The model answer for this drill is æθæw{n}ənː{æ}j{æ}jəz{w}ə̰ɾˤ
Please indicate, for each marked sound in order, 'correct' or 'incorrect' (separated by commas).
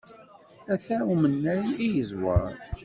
incorrect, correct, incorrect, correct